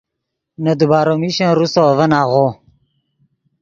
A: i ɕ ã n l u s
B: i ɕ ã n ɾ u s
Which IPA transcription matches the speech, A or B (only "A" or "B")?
B